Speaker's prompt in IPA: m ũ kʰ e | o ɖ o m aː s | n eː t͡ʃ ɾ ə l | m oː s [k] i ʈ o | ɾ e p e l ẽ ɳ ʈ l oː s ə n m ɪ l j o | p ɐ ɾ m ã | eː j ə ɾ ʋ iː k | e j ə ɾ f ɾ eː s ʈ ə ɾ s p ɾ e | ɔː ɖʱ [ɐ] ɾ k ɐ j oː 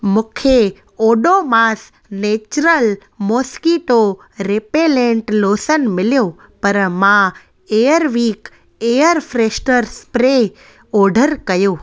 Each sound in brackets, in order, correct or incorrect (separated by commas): correct, incorrect